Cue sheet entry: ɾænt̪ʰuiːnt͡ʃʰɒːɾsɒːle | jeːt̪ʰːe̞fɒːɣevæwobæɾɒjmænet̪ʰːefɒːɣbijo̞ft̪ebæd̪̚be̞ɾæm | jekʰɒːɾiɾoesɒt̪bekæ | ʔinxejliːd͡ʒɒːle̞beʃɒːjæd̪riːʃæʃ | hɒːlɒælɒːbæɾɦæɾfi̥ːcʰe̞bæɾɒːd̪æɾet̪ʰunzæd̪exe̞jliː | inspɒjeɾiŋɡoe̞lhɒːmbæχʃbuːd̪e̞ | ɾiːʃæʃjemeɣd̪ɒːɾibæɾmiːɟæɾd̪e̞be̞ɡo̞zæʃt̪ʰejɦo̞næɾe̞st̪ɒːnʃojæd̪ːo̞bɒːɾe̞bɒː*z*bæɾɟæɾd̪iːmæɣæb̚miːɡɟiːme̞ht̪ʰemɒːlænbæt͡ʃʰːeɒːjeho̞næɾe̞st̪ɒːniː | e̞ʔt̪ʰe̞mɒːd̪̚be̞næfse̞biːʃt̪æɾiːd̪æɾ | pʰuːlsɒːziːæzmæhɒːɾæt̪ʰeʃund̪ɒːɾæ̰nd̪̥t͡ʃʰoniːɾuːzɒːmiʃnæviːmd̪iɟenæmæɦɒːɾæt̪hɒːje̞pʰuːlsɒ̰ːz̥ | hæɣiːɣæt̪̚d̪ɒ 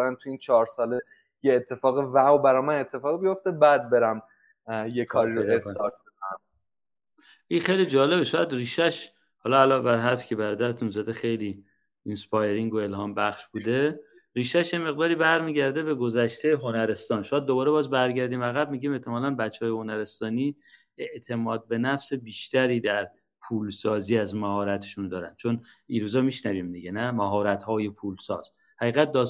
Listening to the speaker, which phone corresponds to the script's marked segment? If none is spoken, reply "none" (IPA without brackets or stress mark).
z